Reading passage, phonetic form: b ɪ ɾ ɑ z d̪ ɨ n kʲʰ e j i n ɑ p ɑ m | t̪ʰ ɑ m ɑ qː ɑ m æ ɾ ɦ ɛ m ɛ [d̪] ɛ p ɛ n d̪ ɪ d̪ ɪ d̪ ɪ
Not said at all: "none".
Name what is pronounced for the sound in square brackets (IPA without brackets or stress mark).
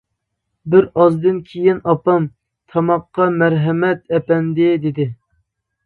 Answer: t̪